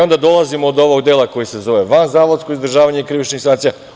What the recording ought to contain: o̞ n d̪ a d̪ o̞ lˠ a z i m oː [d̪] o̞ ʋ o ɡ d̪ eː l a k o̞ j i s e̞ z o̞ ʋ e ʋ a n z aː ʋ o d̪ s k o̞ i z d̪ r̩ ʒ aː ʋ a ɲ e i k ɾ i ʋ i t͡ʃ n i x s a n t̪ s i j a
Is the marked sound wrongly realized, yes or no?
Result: no